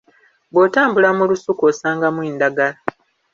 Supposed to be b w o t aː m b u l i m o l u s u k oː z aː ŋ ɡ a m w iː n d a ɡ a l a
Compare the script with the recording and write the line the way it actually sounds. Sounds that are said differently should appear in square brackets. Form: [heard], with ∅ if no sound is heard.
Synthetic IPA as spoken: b w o t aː m b u l [a] m [u] l u s u k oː [s] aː ŋ ɡ a m w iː n d a ɡ a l a

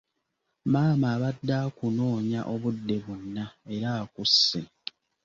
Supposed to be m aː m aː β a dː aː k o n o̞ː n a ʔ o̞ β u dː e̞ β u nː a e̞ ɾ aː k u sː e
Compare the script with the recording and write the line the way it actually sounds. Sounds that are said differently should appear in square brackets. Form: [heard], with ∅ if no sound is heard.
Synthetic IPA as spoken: m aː m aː β a dː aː k [u] n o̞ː [ɲ] a ʔ o̞ β u dː e̞ β u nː a e̞ ɾ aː k u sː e

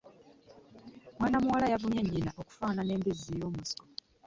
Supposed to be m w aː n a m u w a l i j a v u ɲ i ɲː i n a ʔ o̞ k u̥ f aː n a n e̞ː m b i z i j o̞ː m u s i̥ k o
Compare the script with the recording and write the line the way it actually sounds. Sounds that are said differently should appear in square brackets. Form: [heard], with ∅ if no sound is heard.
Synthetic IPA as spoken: m w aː n a m u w a l [a] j a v u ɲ [e] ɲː i n a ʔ o̞ k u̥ f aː n a n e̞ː m b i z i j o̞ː m u s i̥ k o

